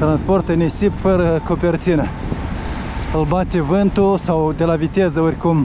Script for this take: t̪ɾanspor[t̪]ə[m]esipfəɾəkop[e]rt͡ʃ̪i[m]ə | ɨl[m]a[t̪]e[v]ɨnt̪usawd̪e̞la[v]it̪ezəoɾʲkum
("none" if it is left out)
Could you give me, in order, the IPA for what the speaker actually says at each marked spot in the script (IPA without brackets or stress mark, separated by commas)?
t̪, n, e, n, b, t̪, v, v